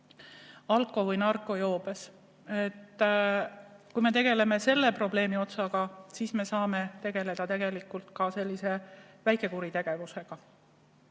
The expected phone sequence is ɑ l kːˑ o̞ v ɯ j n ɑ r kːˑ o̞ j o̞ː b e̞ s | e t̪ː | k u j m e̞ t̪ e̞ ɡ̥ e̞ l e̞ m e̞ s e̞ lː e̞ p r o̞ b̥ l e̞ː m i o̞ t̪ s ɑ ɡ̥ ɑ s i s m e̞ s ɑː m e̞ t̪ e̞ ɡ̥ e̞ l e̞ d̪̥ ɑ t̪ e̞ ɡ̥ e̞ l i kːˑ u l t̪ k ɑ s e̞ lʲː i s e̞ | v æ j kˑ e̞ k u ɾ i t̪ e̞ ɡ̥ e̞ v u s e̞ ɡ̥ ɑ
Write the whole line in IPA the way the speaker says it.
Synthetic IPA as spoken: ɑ l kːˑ o̞ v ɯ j n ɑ r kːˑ o̞ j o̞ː b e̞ s | e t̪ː | k u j m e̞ t̪ e̞ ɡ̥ e̞ l e̞ m e̞ s e̞ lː e̞ p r o̞ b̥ l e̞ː m i o̞ t̪ s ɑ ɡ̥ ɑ s i s m e̞ s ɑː m e̞ t̪ e̞ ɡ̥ e̞ l e̞ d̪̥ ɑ t̪ e̞ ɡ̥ e̞ l i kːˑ u l t̪ k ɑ s e̞ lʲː i s e̞ | v æ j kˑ e̞ k u ɾ i t̪ e̞ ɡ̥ e̞ v u s e̞ ɡ̥ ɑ